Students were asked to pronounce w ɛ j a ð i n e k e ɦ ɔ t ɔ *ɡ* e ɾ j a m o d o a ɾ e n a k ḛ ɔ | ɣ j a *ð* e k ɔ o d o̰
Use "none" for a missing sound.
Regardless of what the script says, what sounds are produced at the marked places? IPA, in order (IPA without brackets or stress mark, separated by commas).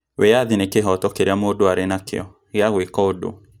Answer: k, ɣ